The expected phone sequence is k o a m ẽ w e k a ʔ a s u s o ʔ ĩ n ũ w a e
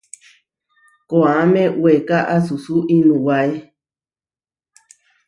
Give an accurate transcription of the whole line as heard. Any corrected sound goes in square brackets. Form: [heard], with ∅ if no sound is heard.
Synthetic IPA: k o a m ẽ w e k a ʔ a s u s [u] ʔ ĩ n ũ w a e